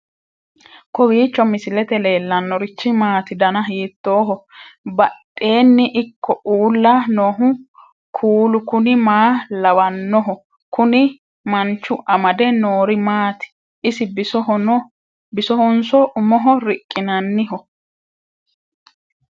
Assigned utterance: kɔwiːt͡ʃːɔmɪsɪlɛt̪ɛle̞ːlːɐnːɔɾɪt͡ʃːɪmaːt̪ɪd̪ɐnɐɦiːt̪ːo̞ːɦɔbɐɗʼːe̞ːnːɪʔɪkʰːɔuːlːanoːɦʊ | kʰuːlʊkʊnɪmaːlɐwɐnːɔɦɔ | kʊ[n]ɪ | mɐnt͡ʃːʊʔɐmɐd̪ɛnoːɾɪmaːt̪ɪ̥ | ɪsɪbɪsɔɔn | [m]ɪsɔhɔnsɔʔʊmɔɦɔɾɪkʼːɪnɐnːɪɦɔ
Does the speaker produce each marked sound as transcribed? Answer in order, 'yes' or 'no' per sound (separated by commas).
yes, no